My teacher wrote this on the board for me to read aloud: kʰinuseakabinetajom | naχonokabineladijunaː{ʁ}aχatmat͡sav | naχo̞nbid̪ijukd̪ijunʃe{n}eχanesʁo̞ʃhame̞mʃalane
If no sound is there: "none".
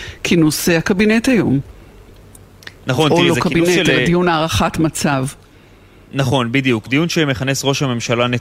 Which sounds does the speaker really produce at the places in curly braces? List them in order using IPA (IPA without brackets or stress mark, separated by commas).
ʁ, m